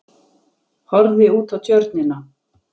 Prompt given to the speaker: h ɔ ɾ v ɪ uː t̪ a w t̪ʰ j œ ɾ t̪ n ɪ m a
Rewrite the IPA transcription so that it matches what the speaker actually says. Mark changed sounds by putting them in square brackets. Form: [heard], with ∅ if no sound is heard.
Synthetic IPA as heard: h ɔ ɾ [ð] ɪ uː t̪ a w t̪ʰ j œ ɾ t̪ n ɪ [n] a